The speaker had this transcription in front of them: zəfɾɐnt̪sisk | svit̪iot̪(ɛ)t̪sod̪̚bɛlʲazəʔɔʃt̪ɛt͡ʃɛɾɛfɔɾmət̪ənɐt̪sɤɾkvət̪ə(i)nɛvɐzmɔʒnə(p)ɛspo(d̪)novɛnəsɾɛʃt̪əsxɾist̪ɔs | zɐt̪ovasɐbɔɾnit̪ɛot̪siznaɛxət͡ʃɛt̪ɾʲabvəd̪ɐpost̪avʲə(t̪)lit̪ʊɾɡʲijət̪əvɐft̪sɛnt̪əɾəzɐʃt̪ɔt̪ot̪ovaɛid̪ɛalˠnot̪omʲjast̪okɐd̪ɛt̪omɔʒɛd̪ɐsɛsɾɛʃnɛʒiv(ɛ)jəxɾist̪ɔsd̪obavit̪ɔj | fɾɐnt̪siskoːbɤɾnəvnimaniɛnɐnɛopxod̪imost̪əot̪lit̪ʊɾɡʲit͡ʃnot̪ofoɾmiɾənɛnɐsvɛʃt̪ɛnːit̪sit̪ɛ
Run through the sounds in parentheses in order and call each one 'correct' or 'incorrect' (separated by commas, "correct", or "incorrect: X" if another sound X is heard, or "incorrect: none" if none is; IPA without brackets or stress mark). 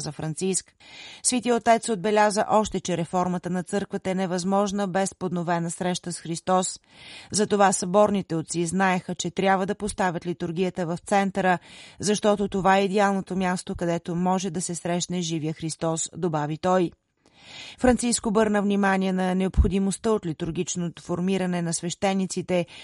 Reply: correct, incorrect: ɛ, incorrect: b, correct, correct, incorrect: i